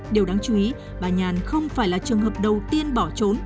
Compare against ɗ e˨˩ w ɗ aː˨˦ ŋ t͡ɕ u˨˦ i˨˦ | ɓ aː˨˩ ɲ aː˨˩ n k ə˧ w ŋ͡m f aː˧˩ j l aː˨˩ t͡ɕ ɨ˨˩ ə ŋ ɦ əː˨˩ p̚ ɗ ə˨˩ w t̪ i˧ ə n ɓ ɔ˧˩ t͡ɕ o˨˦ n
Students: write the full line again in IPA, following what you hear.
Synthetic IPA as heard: ɗ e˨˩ w ɗ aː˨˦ ŋ t͡ɕ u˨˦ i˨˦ | ɓ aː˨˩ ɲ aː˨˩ n x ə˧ w ŋ͡m f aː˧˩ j l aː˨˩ t͡ɕ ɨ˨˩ ə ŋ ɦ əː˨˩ p̚ ɗ ə˨˩ w t̪ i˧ ə n ɓ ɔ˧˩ t͡ɕ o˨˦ n